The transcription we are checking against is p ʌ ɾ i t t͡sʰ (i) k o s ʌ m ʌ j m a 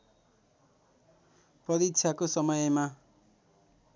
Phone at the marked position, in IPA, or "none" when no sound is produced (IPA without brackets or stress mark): a